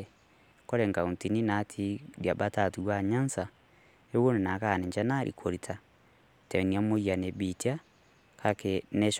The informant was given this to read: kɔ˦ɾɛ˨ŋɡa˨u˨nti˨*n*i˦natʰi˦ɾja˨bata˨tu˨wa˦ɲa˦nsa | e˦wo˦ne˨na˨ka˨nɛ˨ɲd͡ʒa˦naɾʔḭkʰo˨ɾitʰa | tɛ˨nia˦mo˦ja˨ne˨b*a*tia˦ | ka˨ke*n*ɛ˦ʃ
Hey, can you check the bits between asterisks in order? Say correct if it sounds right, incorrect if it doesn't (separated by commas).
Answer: correct, incorrect, correct